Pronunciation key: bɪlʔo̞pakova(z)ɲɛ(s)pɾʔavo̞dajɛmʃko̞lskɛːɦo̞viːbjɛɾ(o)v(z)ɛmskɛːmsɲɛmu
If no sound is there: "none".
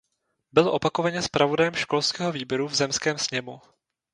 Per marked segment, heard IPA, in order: none, s, u, z

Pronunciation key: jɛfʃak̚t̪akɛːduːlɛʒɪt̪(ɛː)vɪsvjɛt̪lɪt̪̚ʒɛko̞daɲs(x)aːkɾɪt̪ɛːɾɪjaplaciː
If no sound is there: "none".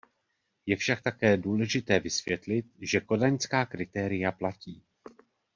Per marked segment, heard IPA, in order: ɛː, k

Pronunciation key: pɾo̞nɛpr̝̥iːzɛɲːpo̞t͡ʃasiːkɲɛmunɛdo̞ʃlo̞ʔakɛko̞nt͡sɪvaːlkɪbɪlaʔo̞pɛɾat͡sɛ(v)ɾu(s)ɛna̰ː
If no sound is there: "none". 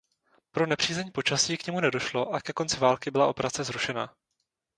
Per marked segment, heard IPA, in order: z, ʃ

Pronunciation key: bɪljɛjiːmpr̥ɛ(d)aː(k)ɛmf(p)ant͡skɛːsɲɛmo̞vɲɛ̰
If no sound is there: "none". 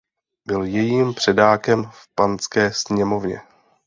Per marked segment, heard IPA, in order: d, k, p

